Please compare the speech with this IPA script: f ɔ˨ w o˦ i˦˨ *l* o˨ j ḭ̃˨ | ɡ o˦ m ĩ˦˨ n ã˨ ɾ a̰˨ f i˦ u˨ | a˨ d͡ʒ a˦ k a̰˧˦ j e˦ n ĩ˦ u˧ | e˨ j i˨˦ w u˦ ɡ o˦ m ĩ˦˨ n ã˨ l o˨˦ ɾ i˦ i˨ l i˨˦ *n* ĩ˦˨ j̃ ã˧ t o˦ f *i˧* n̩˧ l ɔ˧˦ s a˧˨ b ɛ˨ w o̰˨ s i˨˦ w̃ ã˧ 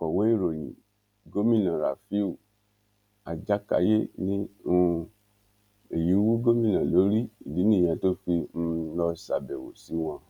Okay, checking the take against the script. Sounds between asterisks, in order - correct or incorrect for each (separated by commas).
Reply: incorrect, correct, correct